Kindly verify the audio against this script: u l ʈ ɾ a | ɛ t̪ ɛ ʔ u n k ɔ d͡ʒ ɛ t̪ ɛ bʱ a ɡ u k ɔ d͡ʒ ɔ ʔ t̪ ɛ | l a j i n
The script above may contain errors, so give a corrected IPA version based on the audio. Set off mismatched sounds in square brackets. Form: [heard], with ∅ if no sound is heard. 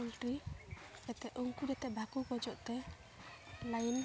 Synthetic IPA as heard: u l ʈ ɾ [i] | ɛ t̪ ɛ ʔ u [ŋ] k [u] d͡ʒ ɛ t̪ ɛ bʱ a [k] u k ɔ d͡ʒ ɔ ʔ t̪ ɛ | l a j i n